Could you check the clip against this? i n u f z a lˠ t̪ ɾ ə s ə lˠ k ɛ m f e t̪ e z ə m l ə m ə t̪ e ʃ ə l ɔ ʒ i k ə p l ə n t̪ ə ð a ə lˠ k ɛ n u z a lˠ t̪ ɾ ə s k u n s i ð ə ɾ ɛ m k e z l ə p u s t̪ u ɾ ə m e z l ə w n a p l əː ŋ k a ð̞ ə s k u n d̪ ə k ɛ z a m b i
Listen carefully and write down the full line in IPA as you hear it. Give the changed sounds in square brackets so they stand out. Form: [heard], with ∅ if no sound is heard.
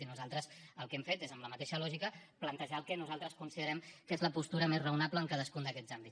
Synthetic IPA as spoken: i n u [∅] z a lˠ t̪ ɾ ə s ə lˠ k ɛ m f e t̪ e z ə m l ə m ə t̪ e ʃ ə l ɔ ʒ i k ə p l ə n t̪ ə [ʒ] a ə lˠ k ɛ n u z a lˠ t̪ ɾ ə s k u n s i ð ə ɾ ɛ m k e z l ə p u s t̪ u ɾ ə m e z [r] ə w n a p l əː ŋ k a ð̞ ə s k u n d̪ ə k ɛ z a m b i